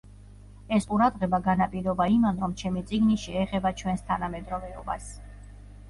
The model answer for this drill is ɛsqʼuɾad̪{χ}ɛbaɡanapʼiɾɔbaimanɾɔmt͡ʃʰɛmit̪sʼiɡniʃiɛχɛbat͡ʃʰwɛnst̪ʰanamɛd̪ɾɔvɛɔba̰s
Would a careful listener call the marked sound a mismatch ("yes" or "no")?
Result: yes